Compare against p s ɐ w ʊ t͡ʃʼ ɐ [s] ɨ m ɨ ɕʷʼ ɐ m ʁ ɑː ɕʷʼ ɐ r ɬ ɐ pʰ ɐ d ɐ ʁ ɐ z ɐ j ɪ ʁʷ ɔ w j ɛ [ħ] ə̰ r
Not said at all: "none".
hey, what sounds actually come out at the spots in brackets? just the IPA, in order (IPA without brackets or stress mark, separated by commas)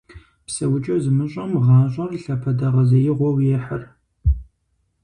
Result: z, ħ